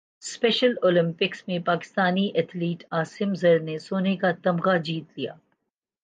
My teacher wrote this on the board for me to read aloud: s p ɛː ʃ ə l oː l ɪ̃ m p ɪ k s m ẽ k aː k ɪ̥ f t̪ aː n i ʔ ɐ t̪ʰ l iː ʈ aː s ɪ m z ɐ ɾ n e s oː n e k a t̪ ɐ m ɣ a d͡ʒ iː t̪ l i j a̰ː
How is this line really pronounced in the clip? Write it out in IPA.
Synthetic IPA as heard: s p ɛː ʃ ə l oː l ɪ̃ m p ɪ k s m ẽ p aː k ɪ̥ s t̪ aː n i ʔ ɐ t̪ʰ l iː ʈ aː s ɪ m z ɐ ɾ n e s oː n e k a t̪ ɐ m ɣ a d͡ʒ iː t̪ l i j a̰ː